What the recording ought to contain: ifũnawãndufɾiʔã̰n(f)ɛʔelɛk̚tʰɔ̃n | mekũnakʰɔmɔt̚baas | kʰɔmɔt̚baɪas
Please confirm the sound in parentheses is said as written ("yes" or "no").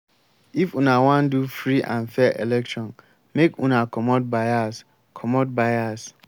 yes